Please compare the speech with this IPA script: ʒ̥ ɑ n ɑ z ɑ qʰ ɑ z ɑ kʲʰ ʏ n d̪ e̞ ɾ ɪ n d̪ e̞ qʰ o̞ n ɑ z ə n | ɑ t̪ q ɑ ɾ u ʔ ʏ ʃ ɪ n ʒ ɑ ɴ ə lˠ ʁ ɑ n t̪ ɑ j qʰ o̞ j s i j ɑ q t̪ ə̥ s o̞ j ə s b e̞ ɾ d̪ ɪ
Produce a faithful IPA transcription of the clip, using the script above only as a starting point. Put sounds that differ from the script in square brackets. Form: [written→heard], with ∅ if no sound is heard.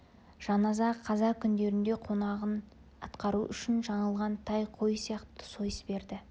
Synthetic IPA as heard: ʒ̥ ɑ n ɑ z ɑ qʰ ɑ z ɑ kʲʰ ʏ n d̪ e̞ ɾ ɪ n d̪ e̞ qʰ o̞ n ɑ [z→ʁ] ə n | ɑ t̪ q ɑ ɾ u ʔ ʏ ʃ ɪ n ʒ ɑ ɴ ə lˠ ʁ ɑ n [t̪→t̪ʰ] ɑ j qʰ o̞ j s i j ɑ q t̪ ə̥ s o̞ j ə s b e̞ ɾ d̪ ɪ